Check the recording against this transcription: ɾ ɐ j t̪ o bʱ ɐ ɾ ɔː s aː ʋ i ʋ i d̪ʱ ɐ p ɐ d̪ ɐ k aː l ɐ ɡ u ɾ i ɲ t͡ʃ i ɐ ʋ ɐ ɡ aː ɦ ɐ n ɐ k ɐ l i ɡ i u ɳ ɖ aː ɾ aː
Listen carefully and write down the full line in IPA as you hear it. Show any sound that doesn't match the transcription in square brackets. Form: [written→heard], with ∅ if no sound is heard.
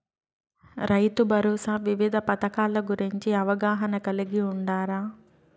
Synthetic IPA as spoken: ɾ ɐ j t̪ [o→u] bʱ ɐ ɾ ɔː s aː ʋ i ʋ i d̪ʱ ɐ p ɐ [d̪→t̪] ɐ k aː l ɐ ɡ u ɾ i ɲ t͡ʃ i ɐ ʋ ɐ ɡ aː ɦ ɐ n ɐ k ɐ l i ɡ i u ɳ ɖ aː ɾ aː